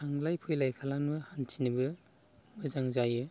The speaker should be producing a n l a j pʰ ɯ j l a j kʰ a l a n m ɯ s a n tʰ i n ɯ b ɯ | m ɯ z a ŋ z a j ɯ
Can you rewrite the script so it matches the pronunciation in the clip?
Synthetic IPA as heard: a ŋ l a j pʰ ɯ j l a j kʰ a l a n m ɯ h a n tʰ i n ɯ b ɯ | m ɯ z a ŋ z a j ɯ